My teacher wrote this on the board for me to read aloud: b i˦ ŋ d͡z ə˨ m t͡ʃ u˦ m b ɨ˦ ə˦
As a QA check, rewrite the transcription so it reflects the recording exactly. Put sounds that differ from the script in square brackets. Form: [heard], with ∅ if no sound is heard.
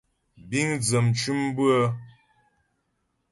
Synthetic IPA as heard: b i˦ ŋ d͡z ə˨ m t͡ʃ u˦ m b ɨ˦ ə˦